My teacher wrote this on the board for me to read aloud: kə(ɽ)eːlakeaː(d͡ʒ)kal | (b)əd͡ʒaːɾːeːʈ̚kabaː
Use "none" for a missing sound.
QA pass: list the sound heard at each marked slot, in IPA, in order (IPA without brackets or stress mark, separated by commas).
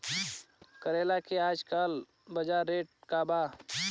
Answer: ɾ, d͡ʒ, b